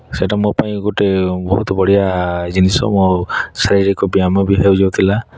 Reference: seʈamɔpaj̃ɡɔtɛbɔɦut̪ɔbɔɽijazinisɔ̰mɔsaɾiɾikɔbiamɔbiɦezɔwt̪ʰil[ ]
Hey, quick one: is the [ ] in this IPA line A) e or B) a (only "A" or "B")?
B